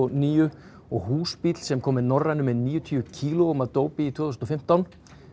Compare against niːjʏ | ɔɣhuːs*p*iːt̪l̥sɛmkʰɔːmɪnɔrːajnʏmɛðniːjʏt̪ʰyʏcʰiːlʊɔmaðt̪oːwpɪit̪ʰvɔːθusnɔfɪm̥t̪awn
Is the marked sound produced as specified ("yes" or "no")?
yes